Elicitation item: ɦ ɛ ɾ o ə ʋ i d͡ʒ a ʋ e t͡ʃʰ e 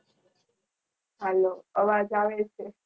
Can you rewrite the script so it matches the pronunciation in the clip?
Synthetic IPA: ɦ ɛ l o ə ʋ a d͡ʒ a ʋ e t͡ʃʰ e